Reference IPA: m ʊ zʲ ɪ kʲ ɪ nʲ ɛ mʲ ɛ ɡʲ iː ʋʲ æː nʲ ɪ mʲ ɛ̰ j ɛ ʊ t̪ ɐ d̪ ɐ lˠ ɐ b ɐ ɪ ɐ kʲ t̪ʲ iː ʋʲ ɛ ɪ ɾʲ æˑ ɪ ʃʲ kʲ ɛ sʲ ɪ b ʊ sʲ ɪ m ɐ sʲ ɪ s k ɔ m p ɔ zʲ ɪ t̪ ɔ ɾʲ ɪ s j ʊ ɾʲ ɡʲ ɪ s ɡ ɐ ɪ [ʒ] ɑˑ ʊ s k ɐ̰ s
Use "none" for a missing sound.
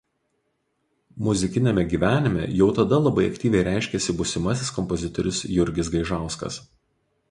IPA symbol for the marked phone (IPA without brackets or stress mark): ʒ